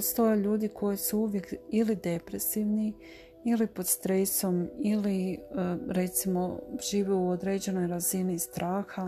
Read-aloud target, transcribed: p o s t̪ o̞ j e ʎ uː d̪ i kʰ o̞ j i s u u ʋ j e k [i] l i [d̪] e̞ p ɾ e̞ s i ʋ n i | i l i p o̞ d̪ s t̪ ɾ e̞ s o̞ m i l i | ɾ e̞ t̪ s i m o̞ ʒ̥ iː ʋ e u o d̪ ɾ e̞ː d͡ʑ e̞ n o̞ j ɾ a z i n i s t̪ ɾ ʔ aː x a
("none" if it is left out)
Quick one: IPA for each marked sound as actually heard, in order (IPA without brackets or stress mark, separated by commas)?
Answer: i, d̪